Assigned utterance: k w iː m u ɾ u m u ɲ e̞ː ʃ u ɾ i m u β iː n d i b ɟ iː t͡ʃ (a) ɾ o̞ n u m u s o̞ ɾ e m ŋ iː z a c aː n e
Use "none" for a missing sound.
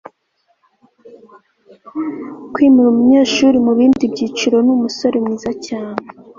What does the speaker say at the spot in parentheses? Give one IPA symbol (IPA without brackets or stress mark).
i